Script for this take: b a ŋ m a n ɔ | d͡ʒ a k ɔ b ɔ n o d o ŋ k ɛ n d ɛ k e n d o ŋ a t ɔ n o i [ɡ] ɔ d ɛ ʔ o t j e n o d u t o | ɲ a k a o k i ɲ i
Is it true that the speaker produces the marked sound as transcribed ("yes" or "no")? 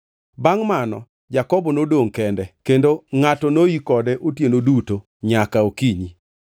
no